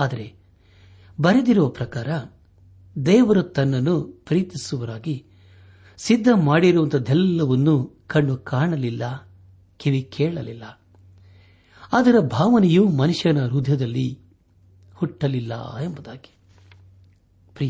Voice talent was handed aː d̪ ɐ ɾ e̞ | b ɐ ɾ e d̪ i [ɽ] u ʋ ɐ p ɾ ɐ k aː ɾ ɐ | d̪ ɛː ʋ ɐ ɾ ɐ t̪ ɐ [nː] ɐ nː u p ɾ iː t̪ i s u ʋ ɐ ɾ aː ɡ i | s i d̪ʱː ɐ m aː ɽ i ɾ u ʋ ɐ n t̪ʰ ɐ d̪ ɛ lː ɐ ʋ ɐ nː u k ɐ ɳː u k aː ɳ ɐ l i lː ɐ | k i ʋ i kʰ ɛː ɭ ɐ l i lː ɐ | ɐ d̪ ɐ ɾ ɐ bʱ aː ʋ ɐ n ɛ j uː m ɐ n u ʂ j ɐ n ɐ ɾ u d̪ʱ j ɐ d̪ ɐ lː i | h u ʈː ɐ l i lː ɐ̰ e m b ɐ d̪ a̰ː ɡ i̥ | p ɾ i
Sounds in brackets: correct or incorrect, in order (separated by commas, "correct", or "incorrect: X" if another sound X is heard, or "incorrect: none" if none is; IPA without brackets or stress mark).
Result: incorrect: ɾ, correct